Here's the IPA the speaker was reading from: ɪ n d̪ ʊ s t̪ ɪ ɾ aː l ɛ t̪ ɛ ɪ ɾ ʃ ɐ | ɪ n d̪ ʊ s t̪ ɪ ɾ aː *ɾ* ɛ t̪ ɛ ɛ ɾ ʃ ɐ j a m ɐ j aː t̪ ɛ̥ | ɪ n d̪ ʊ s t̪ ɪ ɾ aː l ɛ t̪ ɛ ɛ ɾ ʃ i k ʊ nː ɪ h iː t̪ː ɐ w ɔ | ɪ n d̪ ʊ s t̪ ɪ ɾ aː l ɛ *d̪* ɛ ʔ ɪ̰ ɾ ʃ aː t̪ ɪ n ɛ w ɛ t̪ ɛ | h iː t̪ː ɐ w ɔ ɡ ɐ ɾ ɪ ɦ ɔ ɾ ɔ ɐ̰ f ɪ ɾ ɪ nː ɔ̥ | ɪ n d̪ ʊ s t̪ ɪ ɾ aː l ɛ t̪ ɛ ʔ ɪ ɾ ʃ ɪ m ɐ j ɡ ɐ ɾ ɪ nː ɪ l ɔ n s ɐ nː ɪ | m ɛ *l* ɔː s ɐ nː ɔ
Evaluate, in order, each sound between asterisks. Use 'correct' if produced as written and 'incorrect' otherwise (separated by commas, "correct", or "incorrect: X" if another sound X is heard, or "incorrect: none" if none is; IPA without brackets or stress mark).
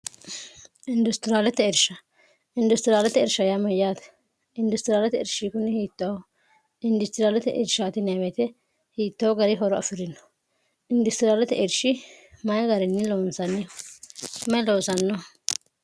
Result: incorrect: l, incorrect: t̪, correct